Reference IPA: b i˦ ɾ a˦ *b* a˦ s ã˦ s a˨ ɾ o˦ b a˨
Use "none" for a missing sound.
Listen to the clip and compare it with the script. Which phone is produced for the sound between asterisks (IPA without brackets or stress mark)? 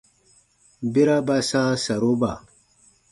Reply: b